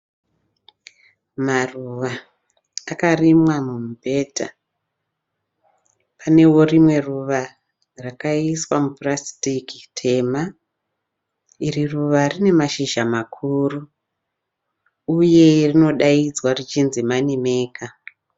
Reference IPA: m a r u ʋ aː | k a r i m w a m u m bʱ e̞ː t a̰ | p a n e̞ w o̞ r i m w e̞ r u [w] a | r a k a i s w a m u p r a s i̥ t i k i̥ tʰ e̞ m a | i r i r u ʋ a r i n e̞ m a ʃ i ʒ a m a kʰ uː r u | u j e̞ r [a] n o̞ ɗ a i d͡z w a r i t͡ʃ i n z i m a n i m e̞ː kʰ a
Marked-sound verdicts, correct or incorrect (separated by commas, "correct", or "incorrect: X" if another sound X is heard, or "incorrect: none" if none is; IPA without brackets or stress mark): incorrect: ʋ, incorrect: i